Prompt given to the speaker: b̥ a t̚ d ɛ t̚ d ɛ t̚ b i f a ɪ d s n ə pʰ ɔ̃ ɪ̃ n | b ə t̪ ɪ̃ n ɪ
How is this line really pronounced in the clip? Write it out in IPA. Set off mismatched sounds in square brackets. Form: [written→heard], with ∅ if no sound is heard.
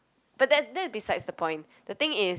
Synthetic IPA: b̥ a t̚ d ɛ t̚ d ɛ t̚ b i [f→s] a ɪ d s [n→d] ə pʰ ɔ̃ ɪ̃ n | [b→d] ə t̪ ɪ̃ [n→ŋ] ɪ

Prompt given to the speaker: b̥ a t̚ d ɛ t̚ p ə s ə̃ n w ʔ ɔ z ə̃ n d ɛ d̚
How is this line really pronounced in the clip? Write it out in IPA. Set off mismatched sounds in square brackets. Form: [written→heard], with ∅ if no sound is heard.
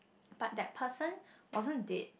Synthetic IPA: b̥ a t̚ d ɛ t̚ [p→pʰ] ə s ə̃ n w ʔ ɔ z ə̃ n d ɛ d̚

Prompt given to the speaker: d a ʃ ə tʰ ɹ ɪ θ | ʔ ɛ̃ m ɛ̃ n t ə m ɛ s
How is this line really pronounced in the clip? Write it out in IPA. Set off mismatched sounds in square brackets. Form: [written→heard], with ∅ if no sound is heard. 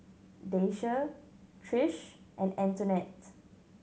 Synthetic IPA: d [a→e] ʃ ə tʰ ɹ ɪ [θ→ʃ] | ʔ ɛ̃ [m→n] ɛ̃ n t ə [m→n] ɛ [s→t]

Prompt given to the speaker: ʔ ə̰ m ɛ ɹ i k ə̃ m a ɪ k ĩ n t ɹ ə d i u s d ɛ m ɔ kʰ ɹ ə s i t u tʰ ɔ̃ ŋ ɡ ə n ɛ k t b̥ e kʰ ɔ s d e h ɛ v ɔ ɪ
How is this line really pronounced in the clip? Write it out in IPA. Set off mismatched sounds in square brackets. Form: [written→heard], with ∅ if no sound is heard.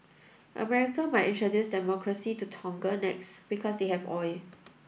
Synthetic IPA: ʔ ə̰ m ɛ ɹ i k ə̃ m a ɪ [k→t] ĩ n t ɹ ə d [i→j] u s d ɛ m ɔ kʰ ɹ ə s i t u tʰ ɔ̃ ŋ ɡ ə n ɛ k [t→s] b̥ [e→i] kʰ ɔ s d e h ɛ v ɔ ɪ

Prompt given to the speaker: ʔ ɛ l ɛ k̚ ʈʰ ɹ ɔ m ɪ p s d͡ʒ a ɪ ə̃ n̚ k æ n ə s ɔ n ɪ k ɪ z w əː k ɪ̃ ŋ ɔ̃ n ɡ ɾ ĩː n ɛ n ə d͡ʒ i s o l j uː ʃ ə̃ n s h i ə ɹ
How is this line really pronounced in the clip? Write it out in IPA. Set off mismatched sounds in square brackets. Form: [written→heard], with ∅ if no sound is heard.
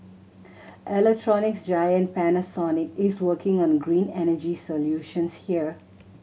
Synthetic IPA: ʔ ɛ l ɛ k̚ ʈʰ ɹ ɔ [m→n] ɪ [p→k] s d͡ʒ a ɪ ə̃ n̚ [k→p] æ n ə s ɔ n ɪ k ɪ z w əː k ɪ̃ ŋ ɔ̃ n ɡ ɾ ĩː n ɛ n ə d͡ʒ i s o l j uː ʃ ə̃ n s h i ə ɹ

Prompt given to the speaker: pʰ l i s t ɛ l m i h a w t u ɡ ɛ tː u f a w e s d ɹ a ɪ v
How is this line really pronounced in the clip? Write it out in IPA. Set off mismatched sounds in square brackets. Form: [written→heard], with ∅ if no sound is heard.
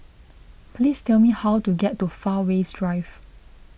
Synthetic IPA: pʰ l i s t ɛ l m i h a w t u ɡ ɛ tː u f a w e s d ɹ a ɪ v

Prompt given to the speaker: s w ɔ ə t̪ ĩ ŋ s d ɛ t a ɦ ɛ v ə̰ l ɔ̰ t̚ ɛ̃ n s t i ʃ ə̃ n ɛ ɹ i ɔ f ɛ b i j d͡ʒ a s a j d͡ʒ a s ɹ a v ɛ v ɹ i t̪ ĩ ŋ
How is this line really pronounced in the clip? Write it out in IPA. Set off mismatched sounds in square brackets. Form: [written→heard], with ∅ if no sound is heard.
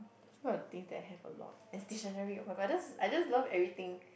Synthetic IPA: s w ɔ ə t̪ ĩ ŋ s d ɛ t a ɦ ɛ v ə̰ l ɔ̰ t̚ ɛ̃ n s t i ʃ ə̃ n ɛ ɹ i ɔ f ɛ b [i→a] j d͡ʒ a s a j d͡ʒ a s [ɹ→l] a v ɛ v ɹ i t̪ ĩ ŋ

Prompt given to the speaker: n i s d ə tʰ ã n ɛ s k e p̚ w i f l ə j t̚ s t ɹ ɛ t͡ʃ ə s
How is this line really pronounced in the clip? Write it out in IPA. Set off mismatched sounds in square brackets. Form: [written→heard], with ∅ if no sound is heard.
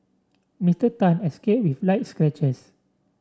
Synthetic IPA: [n→m] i s [d→t] ə [tʰ→t] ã n ɛ s k e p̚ w i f l [ə→a] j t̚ s [t→k] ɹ ɛ t͡ʃ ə s

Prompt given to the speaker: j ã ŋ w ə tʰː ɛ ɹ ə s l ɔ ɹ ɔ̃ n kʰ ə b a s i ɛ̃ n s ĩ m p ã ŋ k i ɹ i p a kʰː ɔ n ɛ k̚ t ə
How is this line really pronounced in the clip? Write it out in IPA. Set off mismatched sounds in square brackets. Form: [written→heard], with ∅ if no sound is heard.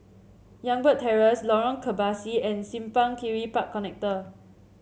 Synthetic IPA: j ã ŋ [w→b] ə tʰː ɛ ɹ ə s l ɔ ɹ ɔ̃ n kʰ ə b a s i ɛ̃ n s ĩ m p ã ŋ k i ɹ i p a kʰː ɔ n ɛ k̚ t ə

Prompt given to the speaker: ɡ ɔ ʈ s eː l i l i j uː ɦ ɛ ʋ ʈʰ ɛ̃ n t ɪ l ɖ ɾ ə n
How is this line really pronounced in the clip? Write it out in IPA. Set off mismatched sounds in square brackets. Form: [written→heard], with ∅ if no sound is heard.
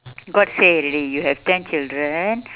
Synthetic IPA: ɡ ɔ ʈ s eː [l→ɾ] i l i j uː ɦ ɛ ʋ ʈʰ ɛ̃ n [t→t͡ʃ] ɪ l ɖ ɾ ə n

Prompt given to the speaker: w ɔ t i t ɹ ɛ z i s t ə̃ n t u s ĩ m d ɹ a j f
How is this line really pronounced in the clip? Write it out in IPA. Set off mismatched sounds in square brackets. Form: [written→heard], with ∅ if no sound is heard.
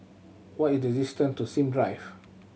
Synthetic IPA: w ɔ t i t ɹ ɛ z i s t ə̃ n t u s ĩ m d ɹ a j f

